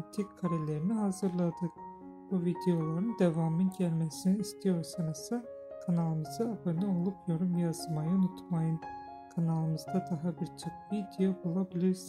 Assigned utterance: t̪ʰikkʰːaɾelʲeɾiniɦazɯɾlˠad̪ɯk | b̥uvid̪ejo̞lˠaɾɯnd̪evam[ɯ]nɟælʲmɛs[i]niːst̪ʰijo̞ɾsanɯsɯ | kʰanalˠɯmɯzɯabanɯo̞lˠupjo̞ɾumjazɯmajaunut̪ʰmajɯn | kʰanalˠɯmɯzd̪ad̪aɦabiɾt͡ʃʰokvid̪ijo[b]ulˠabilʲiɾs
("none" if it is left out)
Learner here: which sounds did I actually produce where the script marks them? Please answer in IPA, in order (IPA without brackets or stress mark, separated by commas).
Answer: ɯ, i, b